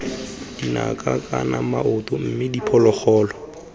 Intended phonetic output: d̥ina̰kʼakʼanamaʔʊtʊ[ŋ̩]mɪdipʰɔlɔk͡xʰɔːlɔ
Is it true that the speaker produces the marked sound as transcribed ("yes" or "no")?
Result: no